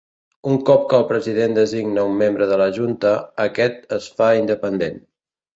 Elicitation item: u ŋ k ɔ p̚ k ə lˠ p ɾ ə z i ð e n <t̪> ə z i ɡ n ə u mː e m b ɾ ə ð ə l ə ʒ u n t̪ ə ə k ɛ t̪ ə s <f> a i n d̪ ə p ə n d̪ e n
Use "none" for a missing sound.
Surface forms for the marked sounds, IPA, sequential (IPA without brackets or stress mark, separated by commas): d̪, f